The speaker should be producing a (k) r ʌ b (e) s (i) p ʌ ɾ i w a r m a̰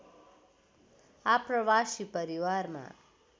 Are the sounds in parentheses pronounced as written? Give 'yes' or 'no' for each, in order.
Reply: no, no, yes

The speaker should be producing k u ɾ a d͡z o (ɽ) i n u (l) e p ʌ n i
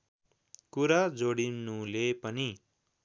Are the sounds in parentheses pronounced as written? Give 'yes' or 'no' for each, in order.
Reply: yes, yes

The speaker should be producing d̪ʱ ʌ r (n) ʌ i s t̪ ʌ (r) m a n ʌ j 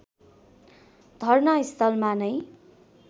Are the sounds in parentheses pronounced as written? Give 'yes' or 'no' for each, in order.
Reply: yes, no

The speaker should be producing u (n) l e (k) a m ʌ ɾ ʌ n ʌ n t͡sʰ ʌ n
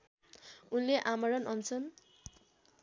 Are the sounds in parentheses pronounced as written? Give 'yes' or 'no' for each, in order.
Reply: yes, no

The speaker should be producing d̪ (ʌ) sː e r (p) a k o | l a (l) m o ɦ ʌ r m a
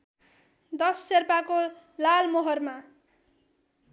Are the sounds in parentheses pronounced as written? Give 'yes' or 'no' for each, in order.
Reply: yes, yes, yes

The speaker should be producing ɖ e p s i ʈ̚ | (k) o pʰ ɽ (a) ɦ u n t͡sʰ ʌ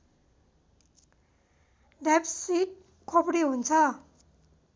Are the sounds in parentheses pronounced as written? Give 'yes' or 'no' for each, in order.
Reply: no, no

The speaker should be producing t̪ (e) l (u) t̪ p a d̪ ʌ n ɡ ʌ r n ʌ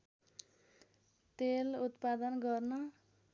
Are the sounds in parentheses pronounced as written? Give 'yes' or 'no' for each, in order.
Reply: yes, yes

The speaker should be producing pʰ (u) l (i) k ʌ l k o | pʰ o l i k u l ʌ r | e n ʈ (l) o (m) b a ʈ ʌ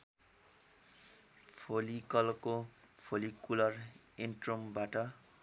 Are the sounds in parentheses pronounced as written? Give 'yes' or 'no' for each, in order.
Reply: no, yes, no, yes

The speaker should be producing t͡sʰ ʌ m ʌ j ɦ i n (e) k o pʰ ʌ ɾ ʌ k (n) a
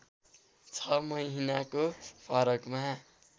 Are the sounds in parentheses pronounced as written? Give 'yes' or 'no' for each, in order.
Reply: no, no

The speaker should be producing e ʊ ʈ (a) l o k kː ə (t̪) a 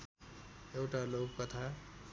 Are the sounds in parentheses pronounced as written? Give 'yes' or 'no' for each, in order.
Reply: yes, no

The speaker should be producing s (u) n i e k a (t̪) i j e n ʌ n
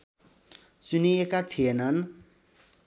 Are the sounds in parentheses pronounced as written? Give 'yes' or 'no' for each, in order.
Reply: yes, no

